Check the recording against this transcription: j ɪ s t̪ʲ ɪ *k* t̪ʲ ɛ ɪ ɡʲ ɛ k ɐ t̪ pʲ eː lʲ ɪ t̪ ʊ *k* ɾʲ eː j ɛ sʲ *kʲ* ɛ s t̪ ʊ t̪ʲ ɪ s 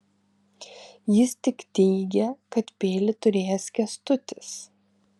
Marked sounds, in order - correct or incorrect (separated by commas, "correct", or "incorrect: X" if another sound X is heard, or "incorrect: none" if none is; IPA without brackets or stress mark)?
correct, incorrect: none, correct